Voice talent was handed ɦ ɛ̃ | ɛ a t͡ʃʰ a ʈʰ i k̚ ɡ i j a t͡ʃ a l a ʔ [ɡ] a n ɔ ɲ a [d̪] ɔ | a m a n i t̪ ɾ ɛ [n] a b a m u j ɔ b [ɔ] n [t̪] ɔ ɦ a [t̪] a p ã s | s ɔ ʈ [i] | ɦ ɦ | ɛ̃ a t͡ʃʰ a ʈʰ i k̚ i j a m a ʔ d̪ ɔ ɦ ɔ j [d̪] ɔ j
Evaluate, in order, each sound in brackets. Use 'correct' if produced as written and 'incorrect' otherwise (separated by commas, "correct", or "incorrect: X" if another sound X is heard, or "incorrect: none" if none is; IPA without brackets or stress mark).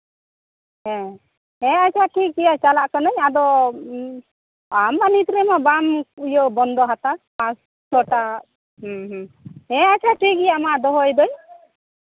incorrect: k, correct, incorrect: m, correct, incorrect: d̪, correct, incorrect: a, correct